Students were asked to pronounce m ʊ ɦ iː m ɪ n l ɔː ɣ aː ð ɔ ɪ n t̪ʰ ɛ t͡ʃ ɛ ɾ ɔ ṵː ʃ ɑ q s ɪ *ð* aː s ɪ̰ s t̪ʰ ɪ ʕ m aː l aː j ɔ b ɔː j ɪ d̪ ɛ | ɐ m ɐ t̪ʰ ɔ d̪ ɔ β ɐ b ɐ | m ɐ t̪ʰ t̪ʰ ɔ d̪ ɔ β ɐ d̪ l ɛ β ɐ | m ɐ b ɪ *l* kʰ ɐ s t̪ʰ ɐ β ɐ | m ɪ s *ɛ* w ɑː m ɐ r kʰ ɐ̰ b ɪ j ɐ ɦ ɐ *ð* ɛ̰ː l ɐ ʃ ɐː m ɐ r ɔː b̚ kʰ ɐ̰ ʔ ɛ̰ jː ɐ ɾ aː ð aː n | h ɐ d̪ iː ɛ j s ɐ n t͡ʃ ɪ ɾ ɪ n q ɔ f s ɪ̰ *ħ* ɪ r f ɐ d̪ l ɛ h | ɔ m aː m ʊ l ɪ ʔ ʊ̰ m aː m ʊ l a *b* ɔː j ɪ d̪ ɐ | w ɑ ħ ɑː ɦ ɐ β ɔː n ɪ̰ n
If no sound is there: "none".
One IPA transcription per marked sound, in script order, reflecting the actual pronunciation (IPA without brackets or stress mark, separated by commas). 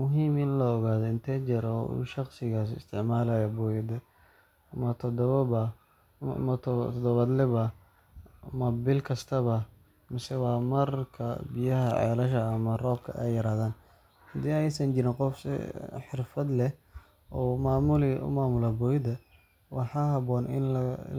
ɣ, l, ɛ, ʕ, ħ, b